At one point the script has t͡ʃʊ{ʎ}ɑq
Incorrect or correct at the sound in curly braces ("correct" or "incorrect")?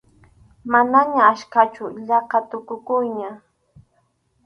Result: correct